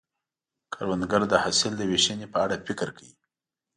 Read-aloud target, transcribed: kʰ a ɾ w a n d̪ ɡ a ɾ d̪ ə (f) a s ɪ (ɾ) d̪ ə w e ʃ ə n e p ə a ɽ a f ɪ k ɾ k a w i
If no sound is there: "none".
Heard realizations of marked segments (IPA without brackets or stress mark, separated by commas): h, l